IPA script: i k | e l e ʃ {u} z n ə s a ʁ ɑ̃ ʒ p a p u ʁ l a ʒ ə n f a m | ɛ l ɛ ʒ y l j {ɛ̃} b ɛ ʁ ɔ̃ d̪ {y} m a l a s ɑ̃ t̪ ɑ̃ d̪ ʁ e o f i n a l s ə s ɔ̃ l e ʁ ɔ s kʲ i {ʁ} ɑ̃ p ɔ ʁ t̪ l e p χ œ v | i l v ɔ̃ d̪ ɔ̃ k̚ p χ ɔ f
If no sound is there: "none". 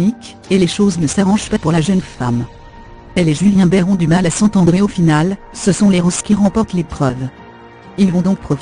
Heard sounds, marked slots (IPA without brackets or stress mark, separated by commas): o, ɛ̃, y, ʁ